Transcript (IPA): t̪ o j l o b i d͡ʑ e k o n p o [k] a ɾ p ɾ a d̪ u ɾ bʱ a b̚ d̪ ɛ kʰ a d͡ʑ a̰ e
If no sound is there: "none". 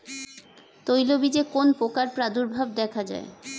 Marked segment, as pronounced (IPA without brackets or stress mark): k